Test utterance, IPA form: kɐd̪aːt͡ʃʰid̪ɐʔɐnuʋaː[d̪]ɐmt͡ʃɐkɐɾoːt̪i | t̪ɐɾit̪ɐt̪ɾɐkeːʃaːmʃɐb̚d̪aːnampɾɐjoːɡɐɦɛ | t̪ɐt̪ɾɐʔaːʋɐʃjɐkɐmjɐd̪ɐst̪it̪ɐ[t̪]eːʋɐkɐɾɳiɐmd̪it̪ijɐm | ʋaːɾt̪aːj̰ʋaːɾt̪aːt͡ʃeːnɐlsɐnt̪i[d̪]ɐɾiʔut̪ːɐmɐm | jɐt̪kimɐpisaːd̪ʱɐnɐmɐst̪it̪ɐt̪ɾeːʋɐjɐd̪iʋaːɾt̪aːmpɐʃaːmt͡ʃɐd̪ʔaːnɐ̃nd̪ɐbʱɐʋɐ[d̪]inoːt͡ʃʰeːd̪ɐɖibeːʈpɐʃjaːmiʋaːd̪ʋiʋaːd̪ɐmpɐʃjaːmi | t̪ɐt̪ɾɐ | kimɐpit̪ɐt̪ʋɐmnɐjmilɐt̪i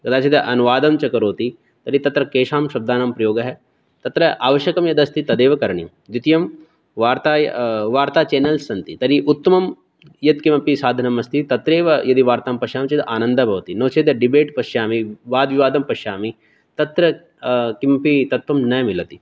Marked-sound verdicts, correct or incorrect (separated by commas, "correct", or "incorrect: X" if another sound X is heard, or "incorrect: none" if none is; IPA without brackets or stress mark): correct, incorrect: d̪, incorrect: t̪, incorrect: t̪